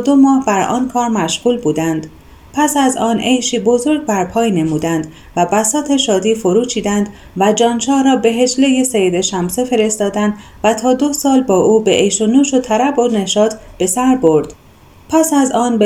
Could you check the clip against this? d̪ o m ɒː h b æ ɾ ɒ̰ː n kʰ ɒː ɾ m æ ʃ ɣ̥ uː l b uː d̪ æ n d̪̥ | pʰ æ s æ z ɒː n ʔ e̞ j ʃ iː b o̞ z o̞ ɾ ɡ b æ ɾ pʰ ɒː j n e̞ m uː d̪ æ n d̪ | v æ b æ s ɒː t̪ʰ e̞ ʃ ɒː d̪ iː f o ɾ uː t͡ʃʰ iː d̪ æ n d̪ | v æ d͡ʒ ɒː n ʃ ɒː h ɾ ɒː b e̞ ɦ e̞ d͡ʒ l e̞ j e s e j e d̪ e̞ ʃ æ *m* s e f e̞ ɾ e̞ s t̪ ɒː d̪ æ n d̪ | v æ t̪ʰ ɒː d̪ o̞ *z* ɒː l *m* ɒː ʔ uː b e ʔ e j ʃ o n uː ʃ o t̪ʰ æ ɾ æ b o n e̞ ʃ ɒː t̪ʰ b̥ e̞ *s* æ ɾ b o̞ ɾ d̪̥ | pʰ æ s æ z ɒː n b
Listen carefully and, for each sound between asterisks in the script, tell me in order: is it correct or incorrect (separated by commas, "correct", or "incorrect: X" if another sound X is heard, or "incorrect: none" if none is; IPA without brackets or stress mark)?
correct, incorrect: s, incorrect: b, correct